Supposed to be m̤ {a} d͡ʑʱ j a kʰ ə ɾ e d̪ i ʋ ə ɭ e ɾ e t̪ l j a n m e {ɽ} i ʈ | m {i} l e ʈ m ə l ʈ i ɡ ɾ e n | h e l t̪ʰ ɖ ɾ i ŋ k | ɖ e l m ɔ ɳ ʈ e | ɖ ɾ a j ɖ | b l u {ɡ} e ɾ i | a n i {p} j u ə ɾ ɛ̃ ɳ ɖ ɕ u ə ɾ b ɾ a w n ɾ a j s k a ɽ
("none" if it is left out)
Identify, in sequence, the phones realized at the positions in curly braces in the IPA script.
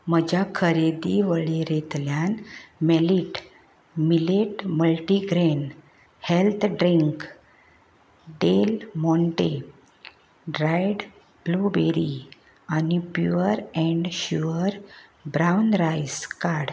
ə, l, i, b, p

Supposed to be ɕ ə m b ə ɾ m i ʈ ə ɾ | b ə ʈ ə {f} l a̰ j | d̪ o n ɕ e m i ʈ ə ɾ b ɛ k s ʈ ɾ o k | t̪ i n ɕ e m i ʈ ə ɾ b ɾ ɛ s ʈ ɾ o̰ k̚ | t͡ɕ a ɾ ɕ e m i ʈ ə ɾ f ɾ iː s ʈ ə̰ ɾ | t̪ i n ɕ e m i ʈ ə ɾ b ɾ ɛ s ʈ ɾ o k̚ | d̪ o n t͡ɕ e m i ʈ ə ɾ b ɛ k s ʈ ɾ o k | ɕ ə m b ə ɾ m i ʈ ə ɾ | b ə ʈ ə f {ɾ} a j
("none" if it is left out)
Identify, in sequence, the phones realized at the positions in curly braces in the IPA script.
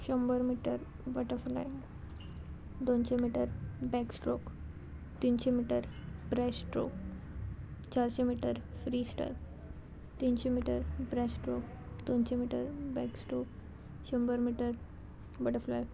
f, l

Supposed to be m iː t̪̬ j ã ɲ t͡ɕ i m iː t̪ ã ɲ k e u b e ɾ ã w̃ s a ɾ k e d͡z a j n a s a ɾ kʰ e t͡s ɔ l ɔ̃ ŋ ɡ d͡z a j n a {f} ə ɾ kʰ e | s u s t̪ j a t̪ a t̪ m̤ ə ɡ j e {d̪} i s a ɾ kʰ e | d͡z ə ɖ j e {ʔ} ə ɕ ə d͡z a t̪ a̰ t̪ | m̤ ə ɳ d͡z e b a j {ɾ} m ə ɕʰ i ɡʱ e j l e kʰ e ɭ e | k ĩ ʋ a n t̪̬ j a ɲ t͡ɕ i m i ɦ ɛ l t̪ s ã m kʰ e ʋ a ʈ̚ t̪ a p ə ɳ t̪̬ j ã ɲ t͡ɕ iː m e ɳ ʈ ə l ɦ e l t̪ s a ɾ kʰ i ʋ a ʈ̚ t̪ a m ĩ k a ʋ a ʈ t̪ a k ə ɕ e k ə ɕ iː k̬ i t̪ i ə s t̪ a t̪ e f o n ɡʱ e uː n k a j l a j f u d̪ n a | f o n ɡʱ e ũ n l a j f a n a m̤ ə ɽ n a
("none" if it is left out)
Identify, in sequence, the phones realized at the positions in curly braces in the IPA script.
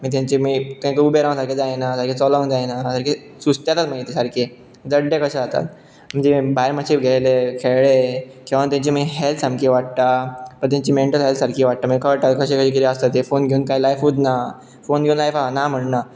s, t̪, k, ɾ

